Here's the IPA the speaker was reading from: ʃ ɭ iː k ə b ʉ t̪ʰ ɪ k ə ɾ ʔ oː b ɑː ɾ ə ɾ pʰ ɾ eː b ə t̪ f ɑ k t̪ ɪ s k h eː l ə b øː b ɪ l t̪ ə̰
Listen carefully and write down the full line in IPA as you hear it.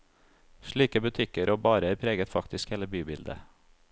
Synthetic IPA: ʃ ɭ iː k ə b ʉ t̪ʰ ɪ k ə ɾ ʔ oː b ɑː ɾ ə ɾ pʰ ɾ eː ɡ ə t̪ f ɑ k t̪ ɪ s k h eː l ə b yː b ɪ l d̪ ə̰